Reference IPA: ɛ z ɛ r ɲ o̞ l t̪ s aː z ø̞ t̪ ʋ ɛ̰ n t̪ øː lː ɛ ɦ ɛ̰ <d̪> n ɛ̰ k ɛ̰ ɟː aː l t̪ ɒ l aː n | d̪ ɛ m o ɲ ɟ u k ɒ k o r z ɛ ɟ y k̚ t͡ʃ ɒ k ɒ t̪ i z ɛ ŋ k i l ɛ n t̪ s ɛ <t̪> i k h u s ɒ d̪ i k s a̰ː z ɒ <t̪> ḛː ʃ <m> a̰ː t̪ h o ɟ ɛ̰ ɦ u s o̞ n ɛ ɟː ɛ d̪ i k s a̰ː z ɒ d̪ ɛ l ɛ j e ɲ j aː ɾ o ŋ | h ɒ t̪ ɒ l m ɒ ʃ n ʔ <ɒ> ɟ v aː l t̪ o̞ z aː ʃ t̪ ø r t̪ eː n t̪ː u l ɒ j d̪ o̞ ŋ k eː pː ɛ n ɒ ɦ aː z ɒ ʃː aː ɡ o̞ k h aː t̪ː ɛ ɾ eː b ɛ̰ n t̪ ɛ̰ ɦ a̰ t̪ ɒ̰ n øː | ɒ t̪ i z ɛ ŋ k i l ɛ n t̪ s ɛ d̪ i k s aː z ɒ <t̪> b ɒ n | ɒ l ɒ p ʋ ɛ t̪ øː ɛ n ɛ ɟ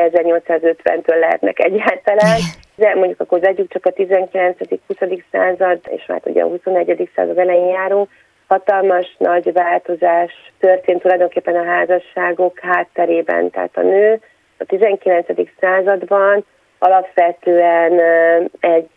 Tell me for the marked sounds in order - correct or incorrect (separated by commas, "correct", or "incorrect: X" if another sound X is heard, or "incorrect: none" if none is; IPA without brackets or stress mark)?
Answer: incorrect: t̪, incorrect: d̪, incorrect: d̪, correct, correct, incorrect: d̪